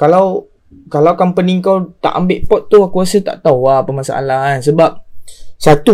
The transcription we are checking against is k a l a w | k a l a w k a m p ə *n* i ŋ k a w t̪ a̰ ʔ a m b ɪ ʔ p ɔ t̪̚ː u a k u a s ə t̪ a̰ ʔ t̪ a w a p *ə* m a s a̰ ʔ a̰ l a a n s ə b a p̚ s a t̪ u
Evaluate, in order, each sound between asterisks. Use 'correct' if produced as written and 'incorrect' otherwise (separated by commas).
correct, correct